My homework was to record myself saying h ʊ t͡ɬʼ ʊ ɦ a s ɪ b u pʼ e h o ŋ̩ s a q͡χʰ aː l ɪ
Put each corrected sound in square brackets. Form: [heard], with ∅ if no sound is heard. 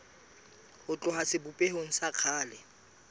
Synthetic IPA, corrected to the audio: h ʊ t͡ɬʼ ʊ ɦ a s ɪ b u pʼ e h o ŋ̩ s a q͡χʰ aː l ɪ